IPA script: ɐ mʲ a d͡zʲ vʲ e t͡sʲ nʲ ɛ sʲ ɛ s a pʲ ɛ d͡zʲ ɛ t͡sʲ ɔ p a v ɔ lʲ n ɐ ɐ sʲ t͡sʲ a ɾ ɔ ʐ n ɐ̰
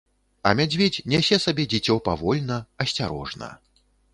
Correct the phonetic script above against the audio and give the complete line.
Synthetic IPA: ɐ mʲ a d͡zʲ vʲ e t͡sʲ nʲ ɛ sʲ ɛ s a bʲ ɛ d͡zʲ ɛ t͡sʲ ɔ p a v ɔ lʲ n ɐ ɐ sʲ t͡sʲ a ɾ ɔ ʐ n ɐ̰